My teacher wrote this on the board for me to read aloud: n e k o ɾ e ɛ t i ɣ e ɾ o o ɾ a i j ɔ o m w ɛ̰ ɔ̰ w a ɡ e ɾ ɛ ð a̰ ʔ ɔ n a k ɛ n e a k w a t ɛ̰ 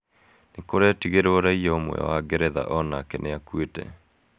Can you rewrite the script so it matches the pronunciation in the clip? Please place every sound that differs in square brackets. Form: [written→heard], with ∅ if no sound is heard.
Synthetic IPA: n e k o ɾ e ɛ t i ɣ e ɾ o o ɾ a i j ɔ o m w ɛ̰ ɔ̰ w a ɡ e ɾ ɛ ð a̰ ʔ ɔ n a k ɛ n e a k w [a→e] t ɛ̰